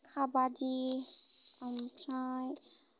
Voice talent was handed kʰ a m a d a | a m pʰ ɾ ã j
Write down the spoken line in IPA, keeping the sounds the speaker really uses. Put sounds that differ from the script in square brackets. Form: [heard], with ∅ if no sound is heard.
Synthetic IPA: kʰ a [b] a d [i] | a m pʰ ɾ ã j